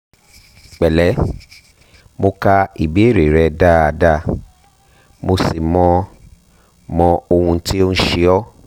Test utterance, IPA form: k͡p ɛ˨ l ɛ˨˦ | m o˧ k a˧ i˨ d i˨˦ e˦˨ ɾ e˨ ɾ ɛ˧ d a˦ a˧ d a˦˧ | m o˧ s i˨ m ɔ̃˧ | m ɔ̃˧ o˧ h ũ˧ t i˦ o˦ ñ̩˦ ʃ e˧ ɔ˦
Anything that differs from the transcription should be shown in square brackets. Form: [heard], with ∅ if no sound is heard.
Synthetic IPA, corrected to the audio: k͡p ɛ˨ l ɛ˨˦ | m o˧ k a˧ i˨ [b] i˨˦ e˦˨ ɾ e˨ ɾ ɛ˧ d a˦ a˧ d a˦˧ | m o˧ s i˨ m ɔ̃˧ | m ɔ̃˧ o˧ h ũ˧ t i˦ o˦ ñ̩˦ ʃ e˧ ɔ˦